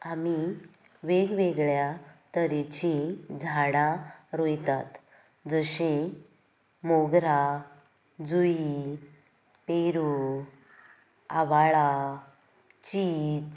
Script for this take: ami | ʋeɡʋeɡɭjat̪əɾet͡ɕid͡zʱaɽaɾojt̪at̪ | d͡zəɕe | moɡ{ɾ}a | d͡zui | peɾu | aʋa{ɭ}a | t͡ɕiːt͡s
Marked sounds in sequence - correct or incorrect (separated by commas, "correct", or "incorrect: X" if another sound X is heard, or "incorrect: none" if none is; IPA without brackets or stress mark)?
correct, correct